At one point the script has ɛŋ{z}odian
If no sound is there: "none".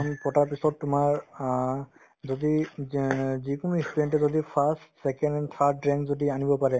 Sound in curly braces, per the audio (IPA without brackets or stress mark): z